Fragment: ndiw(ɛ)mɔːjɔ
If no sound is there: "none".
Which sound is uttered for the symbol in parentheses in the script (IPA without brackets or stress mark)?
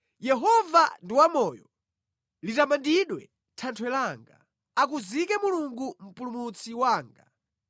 a